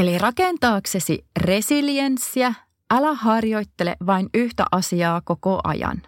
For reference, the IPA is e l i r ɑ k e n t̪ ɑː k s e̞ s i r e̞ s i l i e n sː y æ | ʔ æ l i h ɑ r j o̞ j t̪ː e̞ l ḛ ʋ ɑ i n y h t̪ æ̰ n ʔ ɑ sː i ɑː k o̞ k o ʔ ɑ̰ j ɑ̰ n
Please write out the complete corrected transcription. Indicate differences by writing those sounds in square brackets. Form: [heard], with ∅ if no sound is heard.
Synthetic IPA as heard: e l i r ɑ k e n t̪ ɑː k s e̞ s i r e̞ s i l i e n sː [i] æ | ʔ æ l [æ] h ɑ r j o̞ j t̪ː e̞ l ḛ ʋ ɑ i n y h t̪ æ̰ [∅] ʔ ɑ [s] i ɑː k o̞ k o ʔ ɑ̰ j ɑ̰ n